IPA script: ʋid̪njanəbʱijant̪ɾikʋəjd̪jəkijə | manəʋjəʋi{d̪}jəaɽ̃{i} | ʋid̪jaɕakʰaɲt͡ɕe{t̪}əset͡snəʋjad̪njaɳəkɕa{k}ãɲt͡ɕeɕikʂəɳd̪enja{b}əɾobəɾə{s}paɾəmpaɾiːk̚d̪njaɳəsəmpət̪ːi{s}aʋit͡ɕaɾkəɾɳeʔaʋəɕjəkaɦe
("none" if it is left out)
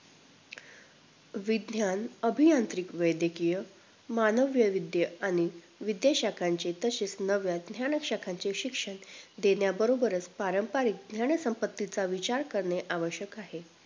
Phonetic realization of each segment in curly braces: d̪, i, t̪, kʰ, b, t͡s, t͡s

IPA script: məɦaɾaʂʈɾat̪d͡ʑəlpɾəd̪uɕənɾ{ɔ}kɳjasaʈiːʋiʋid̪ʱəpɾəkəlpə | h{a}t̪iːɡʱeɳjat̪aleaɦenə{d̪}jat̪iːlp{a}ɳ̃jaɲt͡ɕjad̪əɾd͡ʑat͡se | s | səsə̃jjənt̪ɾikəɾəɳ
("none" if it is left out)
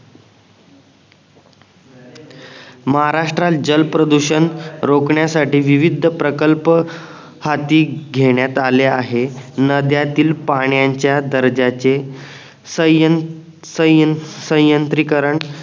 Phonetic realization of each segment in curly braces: o, a, d̪, a

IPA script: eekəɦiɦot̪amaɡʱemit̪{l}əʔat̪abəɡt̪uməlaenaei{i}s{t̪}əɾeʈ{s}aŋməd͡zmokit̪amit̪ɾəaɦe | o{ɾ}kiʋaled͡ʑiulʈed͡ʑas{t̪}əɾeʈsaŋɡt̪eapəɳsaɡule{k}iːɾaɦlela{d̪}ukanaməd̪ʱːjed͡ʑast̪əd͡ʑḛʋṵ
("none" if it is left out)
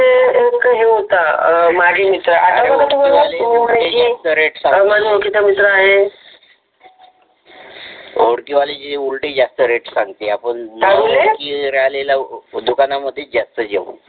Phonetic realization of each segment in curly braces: ɾ, a, t̪, s, ɽ, t̪, k, d̪

